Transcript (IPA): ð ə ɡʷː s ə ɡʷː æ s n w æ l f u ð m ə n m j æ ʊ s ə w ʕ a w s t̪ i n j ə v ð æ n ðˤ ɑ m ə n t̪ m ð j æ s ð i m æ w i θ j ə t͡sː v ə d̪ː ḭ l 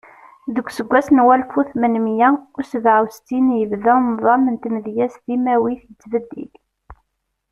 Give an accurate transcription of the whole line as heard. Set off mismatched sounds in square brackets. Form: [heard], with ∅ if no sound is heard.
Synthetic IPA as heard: ð ə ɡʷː s ə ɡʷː æ s n w æ l f u [θ] m ə n m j æ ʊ s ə [v] ʕ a w s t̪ i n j ə v ð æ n ðˤ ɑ m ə n t̪ m ð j æ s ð i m æ w i θ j ə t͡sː v ə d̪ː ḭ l